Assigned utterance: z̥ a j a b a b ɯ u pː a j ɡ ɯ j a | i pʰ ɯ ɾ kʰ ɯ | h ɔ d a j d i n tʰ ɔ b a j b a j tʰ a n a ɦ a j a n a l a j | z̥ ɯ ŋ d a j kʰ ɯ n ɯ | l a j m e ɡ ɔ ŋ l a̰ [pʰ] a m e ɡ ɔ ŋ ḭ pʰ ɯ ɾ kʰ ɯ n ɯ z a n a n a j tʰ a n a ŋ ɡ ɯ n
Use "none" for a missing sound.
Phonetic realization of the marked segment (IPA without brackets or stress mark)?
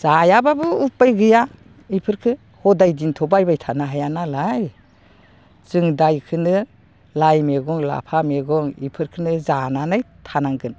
pʰ